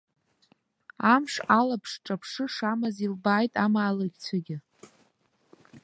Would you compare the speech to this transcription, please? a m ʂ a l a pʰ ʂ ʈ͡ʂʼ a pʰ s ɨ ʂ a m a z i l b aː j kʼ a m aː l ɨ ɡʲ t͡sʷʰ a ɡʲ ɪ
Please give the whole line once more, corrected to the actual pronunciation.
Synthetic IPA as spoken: a m ʂ a l a pʰ ʂ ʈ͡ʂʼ a pʰ ʂ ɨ ʂ a m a z i l b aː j tʼ a m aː l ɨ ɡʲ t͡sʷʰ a ɡʲ ɪ

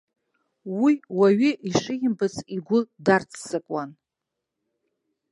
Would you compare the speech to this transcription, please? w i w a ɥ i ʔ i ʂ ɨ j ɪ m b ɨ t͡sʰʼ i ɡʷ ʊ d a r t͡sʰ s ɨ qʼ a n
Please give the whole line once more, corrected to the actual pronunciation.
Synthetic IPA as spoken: w i w a ɥ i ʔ i ʂ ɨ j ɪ m b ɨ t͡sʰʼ i ɡʷ ʊ d a r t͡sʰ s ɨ kʼ a n

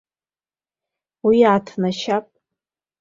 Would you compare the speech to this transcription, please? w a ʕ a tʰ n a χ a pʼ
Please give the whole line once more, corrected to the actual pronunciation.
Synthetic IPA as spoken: w i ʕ a tʰ n a ʃ a pʼ

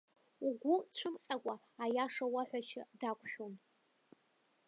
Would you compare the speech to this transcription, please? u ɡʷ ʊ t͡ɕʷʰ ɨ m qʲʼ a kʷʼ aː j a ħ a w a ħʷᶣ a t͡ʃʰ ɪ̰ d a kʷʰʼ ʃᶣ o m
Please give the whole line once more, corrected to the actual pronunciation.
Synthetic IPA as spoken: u ɡʷ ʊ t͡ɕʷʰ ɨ m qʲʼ a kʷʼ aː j a ʂ a w a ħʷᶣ a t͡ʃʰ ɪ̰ d a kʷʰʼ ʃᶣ o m

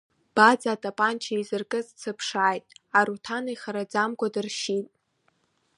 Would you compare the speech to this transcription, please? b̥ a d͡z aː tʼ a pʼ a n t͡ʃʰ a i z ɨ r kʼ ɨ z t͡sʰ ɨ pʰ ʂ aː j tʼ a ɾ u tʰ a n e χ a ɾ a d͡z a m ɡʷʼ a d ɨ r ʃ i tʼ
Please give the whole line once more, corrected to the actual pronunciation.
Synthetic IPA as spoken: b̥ a d͡z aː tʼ a pʼ a n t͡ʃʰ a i z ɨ r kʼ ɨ z t͡sʰ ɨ pʰ ʂ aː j tʼ a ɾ u tʰ a n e χ a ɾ a d͡z a m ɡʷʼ a d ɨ r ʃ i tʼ

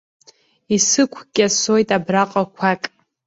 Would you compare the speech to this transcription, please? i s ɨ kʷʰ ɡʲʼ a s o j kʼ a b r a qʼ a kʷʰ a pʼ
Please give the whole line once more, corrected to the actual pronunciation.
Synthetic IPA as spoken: i s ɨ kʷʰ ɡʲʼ a s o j tʼ a b r a qʼ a kʷʰ a kʼ

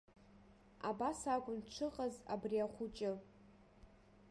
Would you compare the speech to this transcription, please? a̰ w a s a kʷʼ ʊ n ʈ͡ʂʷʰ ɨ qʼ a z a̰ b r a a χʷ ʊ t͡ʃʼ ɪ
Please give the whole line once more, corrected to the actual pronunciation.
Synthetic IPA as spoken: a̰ b a s a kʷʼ ʊ n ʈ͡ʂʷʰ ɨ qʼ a z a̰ b r i a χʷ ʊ t͡ʃʼ ɪ

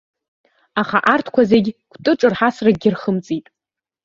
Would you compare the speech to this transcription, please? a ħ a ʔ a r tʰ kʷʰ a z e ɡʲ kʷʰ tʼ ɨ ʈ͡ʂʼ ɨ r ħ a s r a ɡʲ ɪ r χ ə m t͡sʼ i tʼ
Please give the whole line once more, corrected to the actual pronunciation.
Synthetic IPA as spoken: a χ a ʔ a r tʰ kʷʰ a z e ɡʲ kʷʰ tʼ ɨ ʈ͡ʂʼ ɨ r ħ a s r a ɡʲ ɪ r χ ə m t͡sʼ i tʼ

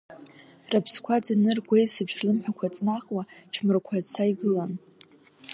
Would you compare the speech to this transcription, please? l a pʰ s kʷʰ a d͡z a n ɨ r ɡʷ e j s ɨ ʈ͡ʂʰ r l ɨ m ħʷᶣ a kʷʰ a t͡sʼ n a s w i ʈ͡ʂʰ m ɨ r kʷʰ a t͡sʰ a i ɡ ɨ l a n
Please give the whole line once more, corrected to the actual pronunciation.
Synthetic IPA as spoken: r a pʰ s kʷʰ a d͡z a n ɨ r ɡʷ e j s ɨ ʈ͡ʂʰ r l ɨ m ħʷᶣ a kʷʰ a t͡sʼ n a χ w a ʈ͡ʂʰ m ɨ r kʷʰ a t͡sʰ a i ɡ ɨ l a n

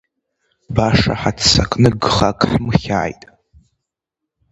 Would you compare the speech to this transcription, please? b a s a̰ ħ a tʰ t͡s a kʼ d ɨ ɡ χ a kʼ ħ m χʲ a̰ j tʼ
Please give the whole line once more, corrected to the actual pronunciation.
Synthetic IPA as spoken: b a ʂ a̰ ħ a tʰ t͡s a kʼ n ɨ ɡ χ a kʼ ħ m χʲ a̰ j tʼ

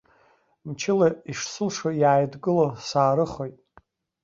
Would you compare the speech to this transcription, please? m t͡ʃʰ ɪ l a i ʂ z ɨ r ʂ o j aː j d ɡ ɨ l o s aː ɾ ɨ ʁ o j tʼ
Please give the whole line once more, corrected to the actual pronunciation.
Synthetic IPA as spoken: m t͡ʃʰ ɪ l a i ʂ s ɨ l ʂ o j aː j d ɡ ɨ l o s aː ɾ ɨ χ o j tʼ

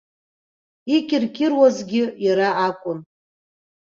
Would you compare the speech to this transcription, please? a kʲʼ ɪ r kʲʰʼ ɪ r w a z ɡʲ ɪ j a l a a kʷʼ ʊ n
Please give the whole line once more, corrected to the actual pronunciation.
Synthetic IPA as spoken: i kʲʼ ɪ r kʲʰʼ ɪ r w a z ɡʲ ɪ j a ɾ a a kʷʼ ʊ n

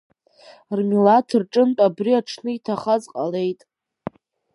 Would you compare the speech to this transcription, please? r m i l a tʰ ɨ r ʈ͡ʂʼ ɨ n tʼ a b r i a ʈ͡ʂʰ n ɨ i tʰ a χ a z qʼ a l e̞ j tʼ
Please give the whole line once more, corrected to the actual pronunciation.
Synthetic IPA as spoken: r m i l a tʰ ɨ r ʈ͡ʂʼ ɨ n tʼ a b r i a ʈ͡ʂʰ n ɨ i tʰ a χ a z qʼ a l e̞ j tʼ

